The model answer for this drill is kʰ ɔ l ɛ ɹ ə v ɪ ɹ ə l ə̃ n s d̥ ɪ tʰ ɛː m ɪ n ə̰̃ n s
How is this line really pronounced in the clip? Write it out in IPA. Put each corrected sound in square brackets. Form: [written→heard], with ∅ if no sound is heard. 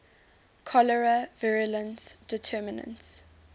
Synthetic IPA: kʰ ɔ l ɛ ɹ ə v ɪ ɹ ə l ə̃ n s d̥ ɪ tʰ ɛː m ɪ n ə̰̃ n s